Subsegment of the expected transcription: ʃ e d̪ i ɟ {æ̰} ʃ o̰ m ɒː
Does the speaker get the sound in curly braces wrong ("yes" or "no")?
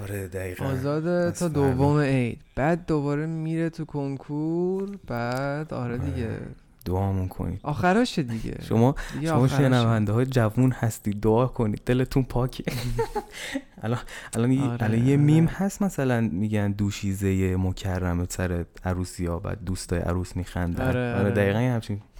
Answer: yes